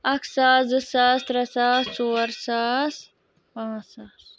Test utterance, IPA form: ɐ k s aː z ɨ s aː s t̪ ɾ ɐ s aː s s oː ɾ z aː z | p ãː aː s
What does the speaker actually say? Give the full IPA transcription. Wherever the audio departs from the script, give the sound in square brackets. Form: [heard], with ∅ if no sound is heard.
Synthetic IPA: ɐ k s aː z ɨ s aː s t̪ ɾ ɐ s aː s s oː ɾ [s] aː [s] | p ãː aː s